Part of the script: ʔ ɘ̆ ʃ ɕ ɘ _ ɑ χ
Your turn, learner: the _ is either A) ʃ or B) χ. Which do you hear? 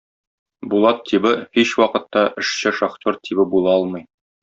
A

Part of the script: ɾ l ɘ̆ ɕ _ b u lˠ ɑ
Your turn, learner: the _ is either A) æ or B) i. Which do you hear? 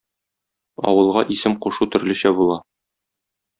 A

